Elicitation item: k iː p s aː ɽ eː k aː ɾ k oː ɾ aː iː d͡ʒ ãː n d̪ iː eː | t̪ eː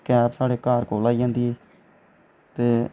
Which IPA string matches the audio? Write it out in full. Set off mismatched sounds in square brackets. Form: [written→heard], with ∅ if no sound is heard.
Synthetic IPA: k [iː→ɛː] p s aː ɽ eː k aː ɾ k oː [ɾ→l] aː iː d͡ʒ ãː n d̪ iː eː | t̪ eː